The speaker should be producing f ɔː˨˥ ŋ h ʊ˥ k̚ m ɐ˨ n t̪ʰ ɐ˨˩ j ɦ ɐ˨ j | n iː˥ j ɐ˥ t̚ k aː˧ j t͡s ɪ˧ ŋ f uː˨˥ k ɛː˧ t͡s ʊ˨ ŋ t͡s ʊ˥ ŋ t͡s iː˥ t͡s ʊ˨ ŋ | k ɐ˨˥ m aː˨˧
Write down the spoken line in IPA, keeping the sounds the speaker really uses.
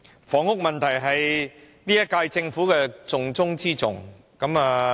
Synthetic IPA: f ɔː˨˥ ŋ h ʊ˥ k̚ m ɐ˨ n t̪ʰ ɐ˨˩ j ɦ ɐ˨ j | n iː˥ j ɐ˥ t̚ k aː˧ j t͡s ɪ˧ ŋ f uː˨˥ k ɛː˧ t͡s ʊ˨ ŋ t͡s ʊ˥ ŋ t͡s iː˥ t͡s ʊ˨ ŋ | k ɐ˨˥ m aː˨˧